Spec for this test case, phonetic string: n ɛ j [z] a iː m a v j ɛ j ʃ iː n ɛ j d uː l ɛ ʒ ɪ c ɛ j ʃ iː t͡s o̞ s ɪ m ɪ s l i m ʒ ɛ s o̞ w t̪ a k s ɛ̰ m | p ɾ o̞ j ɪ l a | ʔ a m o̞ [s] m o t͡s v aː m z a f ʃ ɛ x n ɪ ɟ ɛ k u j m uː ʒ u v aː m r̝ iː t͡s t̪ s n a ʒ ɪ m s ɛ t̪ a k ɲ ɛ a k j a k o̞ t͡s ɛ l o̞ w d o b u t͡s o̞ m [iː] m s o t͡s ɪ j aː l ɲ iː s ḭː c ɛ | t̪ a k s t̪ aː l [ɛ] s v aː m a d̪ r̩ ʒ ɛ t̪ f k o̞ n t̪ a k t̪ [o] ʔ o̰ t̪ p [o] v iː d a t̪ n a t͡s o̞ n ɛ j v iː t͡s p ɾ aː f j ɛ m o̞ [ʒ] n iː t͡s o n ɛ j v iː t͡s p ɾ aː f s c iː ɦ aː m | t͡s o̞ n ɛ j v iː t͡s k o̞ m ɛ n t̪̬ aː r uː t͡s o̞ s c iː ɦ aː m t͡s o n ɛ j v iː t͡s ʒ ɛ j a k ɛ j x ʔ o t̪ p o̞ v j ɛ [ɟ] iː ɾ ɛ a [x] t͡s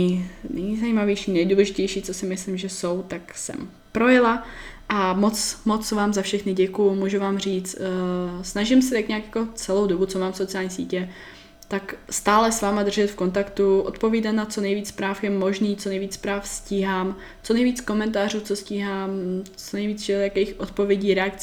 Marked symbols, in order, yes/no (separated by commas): yes, no, no, yes, no, yes, yes, yes, no